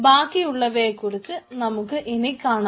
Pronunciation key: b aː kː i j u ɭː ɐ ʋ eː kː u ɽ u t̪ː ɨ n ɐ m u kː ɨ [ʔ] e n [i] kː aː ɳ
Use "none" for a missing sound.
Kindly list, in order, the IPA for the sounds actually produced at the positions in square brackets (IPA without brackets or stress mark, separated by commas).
ʔ, i